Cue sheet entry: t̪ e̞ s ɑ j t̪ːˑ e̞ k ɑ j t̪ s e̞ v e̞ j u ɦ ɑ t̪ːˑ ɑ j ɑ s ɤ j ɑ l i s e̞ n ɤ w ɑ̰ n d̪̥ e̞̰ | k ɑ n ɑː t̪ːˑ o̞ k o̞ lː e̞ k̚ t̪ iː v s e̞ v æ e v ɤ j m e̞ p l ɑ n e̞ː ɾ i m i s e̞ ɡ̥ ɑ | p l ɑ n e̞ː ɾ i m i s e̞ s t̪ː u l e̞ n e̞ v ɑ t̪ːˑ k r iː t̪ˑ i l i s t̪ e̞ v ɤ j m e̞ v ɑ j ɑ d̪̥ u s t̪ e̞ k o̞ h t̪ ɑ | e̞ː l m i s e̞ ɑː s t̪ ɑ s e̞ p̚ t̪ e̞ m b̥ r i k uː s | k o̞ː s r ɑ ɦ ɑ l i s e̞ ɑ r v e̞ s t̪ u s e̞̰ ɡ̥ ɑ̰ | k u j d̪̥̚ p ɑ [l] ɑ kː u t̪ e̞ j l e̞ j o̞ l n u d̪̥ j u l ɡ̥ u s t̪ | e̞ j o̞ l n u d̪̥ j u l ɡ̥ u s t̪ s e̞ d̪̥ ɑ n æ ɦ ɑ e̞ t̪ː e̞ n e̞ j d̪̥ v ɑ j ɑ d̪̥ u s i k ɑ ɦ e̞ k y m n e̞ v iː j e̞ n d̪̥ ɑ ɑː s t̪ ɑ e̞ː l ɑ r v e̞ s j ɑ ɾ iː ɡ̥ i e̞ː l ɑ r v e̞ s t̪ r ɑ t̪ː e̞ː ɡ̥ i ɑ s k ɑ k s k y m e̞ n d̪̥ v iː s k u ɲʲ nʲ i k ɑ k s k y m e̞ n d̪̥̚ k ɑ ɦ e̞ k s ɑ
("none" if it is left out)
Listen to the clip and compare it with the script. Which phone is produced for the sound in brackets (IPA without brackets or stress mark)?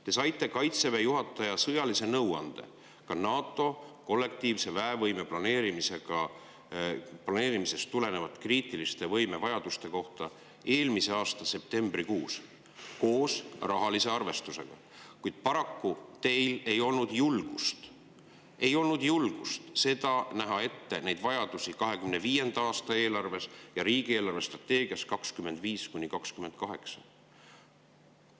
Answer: ɾ